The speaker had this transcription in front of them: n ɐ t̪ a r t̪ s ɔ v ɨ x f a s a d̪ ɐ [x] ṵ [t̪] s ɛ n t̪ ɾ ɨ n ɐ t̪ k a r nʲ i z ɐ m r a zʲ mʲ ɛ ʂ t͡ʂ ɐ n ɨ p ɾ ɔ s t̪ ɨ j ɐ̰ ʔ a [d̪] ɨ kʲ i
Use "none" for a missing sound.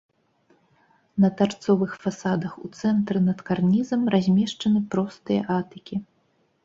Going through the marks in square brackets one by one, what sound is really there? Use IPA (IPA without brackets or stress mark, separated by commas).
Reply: x, t̪, t̪